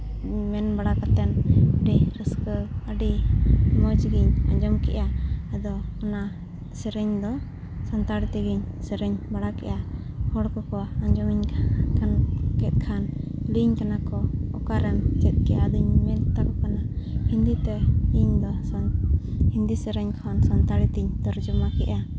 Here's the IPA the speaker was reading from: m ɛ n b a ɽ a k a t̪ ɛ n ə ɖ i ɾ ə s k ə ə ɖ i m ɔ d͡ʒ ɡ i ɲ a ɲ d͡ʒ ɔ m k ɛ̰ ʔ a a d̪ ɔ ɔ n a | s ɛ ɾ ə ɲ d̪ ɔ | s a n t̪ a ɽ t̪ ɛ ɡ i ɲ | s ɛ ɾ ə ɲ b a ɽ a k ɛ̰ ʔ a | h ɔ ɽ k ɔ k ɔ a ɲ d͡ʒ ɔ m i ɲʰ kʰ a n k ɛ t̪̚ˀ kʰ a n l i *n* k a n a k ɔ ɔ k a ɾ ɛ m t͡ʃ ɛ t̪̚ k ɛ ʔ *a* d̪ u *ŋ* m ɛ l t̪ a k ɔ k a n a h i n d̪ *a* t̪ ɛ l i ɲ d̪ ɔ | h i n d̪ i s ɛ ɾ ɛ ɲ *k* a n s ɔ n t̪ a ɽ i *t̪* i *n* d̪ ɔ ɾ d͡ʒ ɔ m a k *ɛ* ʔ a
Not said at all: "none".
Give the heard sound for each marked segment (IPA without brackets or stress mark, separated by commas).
ɲ, a, ɲ, i, kʰ, t̪, ɲ, ɛ